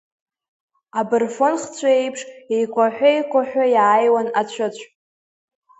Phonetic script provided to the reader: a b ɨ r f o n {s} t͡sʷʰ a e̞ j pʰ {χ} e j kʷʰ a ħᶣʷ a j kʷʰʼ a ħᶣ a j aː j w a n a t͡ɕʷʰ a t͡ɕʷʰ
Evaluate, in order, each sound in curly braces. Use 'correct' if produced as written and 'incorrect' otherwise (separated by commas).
incorrect, incorrect